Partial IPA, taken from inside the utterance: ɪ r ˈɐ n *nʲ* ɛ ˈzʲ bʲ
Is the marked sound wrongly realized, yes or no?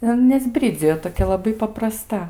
no